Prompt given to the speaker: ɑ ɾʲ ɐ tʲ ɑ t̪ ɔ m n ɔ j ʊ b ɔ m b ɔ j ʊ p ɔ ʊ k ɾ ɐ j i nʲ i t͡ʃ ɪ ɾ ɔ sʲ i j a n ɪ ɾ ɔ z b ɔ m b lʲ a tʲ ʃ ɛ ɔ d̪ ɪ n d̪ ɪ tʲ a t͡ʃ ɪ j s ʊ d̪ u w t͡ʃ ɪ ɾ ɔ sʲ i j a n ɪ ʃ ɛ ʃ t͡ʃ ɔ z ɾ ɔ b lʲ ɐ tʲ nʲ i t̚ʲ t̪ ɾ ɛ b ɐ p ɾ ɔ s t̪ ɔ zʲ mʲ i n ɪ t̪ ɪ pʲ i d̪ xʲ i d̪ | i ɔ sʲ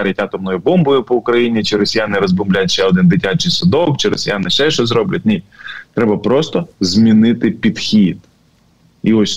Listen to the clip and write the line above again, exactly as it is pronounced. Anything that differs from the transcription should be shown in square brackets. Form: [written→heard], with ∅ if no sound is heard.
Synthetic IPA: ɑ ɾʲ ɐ tʲ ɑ t̪ ɔ m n ɔ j ʊ b ɔ m b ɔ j ʊ p ɔ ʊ k ɾ ɐ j i nʲ i t͡ʃ ɪ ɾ ɔ sʲ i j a n ɪ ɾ ɔ z b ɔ m b lʲ a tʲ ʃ ɛ ɔ d̪ ɪ n d̪ ɪ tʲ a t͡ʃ ɪ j s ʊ d̪ [u→ɔ] w t͡ʃ ɪ ɾ ɔ sʲ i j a n ɪ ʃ ɛ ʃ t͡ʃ ɔ z ɾ ɔ b lʲ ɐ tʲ nʲ i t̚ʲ t̪ ɾ ɛ b ɐ p ɾ ɔ s t̪ ɔ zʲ mʲ i n ɪ t̪ ɪ pʲ i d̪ xʲ i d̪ | i ɔ sʲ